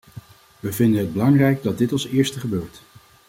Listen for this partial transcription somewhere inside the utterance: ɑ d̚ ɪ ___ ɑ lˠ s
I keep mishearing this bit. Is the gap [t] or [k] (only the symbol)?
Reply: t